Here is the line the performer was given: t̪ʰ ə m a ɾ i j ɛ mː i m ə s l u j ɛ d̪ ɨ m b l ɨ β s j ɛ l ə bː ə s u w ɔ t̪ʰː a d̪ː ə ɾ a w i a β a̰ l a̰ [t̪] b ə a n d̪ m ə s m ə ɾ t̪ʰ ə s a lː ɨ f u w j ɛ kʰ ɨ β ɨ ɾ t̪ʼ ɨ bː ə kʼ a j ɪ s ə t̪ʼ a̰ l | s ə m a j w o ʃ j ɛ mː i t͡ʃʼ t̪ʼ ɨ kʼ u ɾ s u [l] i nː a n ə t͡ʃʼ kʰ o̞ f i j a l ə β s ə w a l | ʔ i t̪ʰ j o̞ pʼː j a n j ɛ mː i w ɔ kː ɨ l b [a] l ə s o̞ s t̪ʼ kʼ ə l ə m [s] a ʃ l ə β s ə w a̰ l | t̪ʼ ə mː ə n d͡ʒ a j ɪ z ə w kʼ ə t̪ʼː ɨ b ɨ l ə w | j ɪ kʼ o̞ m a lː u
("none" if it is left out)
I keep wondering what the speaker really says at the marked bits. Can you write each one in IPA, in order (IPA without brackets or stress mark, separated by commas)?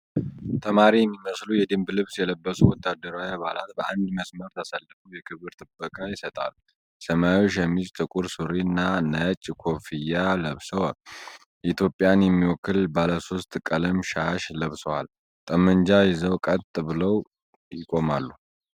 t̪, ɾ, a, ʃ